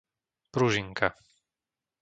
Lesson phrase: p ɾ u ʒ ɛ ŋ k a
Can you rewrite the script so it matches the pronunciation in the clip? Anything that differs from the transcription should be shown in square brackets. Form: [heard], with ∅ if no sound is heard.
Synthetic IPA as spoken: p ɾ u ʒ [i] ŋ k a